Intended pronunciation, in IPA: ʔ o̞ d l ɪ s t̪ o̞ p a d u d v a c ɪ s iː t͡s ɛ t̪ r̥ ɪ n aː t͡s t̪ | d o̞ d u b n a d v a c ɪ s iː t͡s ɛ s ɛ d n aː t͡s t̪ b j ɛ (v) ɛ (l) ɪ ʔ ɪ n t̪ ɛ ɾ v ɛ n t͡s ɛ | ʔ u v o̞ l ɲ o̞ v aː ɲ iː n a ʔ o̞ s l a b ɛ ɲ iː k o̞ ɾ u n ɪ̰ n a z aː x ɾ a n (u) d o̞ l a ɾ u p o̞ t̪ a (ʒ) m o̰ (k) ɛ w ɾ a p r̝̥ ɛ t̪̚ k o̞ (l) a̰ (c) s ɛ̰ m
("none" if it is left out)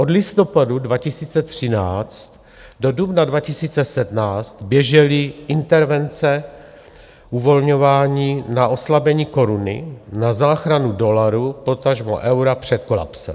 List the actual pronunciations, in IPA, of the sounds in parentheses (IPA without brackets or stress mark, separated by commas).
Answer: ʒ, l, u, ʒ, ʔ, l, p